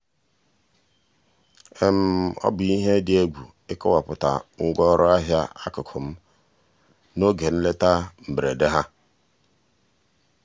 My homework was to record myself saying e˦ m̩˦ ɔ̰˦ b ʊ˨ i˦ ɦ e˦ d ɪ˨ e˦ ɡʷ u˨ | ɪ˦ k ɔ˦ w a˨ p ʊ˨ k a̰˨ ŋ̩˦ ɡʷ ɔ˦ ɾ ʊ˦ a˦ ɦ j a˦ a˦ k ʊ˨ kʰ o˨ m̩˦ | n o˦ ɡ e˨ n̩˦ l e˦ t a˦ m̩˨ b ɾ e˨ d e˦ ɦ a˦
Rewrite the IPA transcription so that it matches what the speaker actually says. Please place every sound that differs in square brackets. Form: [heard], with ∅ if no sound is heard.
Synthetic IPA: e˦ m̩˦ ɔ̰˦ b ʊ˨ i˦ ɦ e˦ d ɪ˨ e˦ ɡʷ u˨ | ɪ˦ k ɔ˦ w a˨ p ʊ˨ [t] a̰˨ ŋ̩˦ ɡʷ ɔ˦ ɾ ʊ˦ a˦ ɦ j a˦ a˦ k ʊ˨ kʰ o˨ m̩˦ | n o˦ ɡ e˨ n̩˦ l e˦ t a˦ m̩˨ b ɾ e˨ d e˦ ɦ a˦